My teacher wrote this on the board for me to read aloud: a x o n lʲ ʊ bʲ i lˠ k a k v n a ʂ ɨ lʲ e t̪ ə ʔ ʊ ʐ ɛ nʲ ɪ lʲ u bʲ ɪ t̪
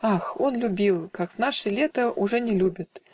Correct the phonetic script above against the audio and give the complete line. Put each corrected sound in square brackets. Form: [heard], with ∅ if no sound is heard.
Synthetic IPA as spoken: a x o n lʲ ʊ bʲ i lˠ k a k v n a ʂ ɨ lʲ e t̪ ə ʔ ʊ ʐ ɛ nʲ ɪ lʲ u bʲ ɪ t̪